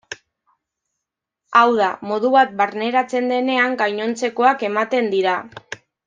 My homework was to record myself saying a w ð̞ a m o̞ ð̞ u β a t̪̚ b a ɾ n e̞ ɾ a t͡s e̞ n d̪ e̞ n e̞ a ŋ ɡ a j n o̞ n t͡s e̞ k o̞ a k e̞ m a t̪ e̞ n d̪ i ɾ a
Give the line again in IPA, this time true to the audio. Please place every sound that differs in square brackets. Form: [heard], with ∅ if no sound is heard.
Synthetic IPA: a w ð̞ a m o̞ ð̞ u β a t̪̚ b a ɾ n e̞ ɾ a t͡s e̞ n d̪ e̞ n e̞ a ŋ ɡ a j [ɲ] o̞ n t͡s e̞ k o̞ a k e̞ m a t̪ e̞ n d̪ i ɾ a